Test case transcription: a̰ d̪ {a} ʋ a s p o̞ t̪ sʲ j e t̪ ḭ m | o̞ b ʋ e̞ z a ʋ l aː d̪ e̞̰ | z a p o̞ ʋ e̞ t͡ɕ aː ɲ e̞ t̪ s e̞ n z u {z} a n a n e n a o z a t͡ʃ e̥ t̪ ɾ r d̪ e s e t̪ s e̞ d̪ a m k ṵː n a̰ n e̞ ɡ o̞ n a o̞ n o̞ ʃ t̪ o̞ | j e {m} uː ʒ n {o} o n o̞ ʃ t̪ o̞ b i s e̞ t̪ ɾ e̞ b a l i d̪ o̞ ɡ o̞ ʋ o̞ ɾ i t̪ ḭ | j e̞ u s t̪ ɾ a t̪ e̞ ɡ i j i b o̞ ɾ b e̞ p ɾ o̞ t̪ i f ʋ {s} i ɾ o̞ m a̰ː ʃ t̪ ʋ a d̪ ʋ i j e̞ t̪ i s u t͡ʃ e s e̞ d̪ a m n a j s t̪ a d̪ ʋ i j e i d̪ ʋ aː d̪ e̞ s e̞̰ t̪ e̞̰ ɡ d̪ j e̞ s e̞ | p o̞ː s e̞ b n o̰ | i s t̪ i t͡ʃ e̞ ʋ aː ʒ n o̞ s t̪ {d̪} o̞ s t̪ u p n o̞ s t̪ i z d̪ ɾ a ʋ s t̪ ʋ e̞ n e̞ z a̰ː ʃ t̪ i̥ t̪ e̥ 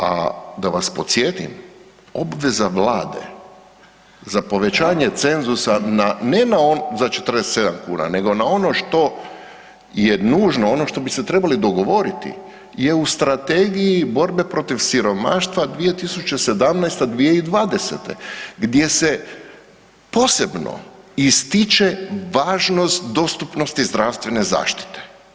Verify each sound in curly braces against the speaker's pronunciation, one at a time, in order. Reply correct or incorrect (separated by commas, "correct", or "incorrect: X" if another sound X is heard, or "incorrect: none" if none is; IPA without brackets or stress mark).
correct, incorrect: s, incorrect: n, correct, correct, correct